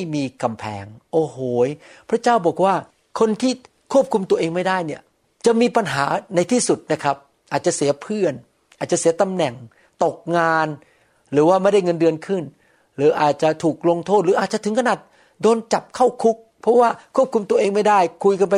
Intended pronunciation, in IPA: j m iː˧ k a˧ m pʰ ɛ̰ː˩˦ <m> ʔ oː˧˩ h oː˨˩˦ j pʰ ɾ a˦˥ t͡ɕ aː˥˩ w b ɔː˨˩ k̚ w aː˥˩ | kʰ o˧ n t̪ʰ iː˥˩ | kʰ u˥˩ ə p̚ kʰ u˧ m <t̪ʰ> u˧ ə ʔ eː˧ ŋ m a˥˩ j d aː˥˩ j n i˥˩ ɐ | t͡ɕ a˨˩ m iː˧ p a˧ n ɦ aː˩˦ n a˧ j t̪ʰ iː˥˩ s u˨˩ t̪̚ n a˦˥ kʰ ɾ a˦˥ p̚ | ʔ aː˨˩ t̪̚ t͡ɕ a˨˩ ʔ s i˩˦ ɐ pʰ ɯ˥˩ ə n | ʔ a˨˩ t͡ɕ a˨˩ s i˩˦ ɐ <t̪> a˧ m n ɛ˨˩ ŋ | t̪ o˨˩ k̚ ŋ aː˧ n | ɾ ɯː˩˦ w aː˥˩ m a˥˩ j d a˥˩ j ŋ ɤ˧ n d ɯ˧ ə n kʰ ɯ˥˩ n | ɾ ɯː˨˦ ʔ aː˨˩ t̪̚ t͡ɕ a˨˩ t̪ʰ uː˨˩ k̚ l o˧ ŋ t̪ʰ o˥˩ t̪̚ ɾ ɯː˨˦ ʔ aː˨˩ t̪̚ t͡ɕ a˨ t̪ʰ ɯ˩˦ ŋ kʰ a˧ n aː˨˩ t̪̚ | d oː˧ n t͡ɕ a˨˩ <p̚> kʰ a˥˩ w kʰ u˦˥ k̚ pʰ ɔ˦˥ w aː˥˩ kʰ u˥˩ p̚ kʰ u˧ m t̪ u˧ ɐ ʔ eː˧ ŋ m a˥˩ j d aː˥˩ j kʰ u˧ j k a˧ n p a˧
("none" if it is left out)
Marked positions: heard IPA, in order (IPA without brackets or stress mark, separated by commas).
ŋ, t̪, t̪, p̚